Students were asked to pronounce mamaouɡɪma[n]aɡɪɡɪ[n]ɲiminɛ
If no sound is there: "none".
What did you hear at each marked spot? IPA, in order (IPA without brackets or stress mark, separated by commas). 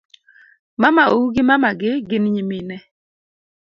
m, n